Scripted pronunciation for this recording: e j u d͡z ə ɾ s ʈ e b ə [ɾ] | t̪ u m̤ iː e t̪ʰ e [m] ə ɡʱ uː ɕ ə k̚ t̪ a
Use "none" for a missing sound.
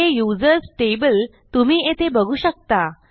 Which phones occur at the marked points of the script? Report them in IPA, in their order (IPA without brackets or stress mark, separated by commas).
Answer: l, b